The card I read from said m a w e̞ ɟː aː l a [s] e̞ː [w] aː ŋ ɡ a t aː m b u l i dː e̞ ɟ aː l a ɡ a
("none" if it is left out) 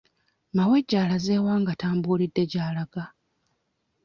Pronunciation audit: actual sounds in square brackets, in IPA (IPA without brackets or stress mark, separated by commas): z, w